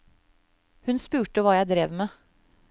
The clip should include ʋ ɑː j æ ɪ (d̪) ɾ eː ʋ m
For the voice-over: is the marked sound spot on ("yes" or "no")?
yes